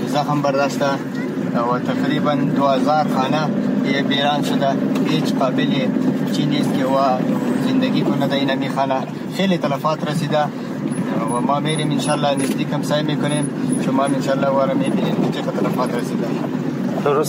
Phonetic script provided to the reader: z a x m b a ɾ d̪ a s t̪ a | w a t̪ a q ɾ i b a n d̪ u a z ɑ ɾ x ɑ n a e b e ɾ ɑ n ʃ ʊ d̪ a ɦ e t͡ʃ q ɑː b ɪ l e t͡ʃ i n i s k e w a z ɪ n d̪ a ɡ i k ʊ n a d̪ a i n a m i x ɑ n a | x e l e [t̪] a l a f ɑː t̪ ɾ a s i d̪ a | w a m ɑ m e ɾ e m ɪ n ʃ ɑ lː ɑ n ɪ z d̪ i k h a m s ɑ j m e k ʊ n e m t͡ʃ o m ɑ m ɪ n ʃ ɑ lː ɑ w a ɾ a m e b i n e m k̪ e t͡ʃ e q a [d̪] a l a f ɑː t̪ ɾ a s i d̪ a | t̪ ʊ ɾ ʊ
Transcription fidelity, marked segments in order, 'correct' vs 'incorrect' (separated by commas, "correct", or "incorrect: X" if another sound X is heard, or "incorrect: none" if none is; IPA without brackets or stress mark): correct, incorrect: t̪